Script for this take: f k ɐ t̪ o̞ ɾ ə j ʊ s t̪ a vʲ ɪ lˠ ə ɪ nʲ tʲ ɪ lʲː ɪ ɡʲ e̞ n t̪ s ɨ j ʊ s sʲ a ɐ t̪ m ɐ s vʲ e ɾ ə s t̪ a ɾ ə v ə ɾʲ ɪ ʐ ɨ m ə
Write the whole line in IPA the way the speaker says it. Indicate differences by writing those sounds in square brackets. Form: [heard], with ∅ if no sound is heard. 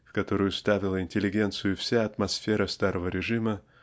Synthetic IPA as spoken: f k ɐ t̪ o̞ ɾ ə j ʊ s t̪ a vʲ ɪ lˠ ə ɪ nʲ tʲ ɪ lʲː ɪ ɡʲ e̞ n t̪ s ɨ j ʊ [f] sʲ a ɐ t̪ m ɐ s [fʲ] e ɾ ə s t̪ a ɾ ə v ə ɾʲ ɪ ʐ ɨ m ə